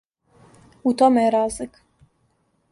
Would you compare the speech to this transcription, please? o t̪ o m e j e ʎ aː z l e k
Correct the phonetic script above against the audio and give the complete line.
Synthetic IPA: u t̪ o m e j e ɾ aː z l i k